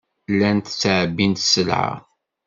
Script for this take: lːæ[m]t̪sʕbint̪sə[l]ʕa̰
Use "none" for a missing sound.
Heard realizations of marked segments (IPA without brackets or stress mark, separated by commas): n, l